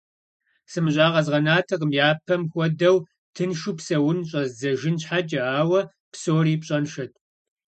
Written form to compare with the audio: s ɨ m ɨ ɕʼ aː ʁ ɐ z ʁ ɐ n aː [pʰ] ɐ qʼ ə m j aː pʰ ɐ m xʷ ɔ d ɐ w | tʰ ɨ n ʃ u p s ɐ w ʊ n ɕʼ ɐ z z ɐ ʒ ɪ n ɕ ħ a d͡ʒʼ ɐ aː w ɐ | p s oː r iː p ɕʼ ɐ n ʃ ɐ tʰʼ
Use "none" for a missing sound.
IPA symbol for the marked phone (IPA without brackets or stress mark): tʰ